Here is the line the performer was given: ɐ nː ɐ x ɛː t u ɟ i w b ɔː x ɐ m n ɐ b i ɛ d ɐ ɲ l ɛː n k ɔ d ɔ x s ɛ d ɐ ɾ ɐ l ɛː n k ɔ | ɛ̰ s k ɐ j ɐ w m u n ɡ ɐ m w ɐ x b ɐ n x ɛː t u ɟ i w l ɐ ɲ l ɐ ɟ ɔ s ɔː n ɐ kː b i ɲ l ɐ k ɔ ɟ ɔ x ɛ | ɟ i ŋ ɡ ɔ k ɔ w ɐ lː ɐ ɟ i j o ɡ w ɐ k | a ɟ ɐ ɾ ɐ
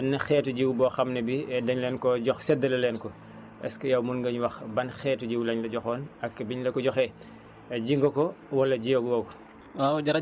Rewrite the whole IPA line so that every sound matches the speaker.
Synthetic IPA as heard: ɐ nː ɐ x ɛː t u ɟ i w b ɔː x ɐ m n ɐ b i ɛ d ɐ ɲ l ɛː n k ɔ ɟ ɔ x s ɛ d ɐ l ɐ l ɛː n k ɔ | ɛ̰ s k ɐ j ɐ w m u n ɡ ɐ ɲ w ɐ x b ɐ n x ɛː t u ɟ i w l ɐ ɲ l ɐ ɟ ɔ x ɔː n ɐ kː b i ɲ l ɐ k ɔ ɟ ɔ x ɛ | ɟ i ŋ ɡ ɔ k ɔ w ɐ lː ɐ ɟ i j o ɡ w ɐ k | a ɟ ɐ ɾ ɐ